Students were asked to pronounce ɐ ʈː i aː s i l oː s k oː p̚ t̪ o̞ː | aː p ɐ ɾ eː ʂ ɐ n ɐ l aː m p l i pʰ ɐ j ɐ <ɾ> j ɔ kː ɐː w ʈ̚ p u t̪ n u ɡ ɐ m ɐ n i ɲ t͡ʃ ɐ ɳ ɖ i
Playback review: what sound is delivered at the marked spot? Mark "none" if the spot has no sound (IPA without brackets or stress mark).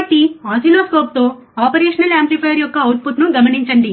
ɾ